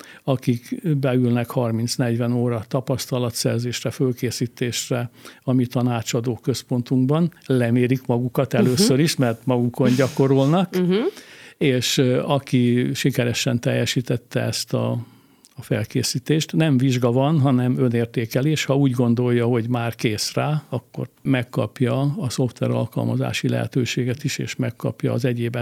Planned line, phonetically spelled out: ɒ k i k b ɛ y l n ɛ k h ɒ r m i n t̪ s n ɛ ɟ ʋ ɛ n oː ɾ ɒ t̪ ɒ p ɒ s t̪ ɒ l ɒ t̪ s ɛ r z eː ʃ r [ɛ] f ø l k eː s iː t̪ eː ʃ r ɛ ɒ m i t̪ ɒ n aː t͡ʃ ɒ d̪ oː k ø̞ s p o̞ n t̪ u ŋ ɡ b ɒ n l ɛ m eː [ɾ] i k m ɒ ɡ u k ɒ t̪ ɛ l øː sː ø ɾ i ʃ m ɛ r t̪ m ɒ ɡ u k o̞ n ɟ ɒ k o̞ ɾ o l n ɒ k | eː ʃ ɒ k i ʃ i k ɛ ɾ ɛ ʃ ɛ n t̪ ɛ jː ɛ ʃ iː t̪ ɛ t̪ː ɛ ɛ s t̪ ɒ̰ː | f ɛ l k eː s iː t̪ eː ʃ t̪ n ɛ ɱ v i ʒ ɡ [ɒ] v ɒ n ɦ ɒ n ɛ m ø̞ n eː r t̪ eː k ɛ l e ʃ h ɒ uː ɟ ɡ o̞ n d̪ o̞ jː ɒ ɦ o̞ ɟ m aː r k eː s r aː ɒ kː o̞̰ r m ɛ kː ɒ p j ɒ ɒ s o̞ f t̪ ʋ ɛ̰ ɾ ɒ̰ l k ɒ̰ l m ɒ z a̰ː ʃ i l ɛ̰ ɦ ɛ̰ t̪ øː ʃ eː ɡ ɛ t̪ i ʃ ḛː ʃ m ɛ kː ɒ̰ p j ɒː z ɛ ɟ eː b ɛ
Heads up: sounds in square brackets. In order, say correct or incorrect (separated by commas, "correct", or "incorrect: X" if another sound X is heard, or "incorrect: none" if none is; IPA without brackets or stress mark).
correct, correct, correct